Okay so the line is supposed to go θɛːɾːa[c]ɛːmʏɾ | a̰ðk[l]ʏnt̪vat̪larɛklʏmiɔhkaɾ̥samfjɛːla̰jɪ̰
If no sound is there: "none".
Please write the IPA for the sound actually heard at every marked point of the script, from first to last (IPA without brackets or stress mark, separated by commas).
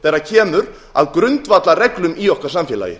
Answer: cʰ, ɾ